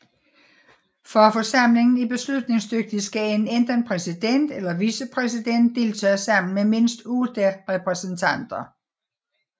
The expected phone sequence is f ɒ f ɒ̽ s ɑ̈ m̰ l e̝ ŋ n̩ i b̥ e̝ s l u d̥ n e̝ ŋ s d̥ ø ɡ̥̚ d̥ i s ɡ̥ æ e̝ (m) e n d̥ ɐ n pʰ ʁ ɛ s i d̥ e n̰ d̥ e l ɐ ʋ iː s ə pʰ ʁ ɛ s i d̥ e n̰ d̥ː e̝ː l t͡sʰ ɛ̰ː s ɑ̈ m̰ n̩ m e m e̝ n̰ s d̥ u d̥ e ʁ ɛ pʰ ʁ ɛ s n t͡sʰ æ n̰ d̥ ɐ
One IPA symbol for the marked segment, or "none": n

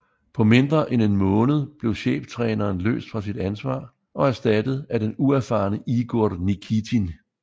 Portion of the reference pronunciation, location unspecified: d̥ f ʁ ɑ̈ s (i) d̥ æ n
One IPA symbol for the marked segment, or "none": i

